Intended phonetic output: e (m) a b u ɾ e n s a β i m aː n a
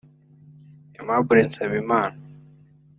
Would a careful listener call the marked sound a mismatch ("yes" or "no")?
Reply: no